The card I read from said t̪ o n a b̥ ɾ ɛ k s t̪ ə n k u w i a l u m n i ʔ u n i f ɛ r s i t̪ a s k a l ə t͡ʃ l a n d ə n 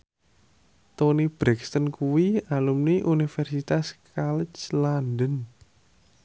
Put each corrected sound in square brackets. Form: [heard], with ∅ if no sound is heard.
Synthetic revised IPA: t̪ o n [i] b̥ ɾ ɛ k s t̪ ə n k u w i a l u m n i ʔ u n i f ɛ r s i t̪ a s k a l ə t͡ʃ l a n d ə n